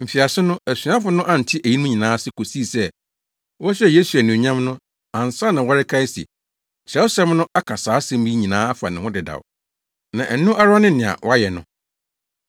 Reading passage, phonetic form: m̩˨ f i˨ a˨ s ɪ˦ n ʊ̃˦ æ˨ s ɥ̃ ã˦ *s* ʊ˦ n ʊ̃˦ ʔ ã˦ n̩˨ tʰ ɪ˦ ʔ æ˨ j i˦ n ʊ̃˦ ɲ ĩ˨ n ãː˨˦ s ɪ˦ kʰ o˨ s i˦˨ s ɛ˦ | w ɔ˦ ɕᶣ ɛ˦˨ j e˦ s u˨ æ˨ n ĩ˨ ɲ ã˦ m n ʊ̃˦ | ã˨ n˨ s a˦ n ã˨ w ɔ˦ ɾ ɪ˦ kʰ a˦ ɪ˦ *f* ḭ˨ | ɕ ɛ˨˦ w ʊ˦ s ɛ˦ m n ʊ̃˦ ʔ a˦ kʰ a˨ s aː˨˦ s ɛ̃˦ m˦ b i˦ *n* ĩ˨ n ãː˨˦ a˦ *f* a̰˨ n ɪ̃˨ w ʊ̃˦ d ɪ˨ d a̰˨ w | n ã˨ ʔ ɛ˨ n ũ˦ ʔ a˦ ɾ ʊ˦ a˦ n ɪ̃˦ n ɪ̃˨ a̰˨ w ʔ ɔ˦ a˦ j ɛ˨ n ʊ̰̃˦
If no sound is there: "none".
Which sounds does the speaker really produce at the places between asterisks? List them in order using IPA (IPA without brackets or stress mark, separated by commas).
f, s, ɲ, f